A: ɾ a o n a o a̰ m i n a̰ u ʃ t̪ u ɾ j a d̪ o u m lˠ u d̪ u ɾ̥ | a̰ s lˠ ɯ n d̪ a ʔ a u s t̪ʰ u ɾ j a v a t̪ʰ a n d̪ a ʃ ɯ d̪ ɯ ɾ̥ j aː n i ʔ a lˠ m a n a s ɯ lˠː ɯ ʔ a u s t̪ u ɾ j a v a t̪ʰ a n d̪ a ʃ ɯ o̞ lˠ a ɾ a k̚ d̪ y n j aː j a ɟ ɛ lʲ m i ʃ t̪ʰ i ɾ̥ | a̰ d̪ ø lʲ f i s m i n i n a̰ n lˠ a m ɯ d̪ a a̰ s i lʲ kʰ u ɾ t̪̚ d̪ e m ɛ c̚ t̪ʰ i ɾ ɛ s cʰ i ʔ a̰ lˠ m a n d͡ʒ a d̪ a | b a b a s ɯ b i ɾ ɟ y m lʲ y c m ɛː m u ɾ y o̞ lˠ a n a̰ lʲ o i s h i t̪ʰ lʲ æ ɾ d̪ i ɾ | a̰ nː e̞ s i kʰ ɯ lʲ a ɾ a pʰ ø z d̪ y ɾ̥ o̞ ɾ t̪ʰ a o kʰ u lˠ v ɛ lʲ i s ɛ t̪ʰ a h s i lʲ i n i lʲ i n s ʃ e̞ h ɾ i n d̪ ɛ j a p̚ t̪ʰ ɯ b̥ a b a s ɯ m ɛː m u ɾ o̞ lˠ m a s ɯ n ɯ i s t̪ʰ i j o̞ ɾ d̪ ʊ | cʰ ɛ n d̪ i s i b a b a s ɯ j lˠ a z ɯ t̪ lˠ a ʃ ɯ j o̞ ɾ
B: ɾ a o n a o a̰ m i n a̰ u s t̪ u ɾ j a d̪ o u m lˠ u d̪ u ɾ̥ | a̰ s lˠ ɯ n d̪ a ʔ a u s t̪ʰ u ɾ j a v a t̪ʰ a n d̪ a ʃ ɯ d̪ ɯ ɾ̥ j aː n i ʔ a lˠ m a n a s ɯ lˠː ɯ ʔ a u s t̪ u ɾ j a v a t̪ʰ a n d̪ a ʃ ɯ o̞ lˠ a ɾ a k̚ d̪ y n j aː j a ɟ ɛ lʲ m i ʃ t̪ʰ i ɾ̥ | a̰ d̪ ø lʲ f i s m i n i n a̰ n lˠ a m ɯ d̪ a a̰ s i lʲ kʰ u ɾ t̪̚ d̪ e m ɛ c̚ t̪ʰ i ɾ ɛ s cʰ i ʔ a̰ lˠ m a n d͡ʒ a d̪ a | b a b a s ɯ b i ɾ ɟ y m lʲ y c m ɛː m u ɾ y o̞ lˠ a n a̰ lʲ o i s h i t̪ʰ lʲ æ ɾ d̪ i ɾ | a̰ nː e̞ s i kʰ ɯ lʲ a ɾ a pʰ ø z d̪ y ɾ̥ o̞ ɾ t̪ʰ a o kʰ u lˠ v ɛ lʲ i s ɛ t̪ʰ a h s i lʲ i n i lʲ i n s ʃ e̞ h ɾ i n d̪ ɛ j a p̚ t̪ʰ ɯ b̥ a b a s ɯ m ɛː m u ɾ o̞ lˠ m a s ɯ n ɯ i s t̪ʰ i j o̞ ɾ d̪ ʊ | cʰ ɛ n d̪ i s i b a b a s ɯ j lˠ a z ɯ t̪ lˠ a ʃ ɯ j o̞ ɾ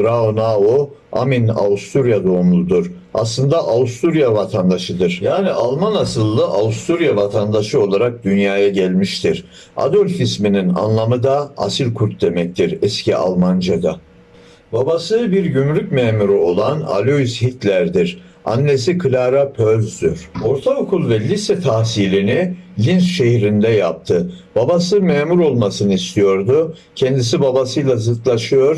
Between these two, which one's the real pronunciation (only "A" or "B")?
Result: B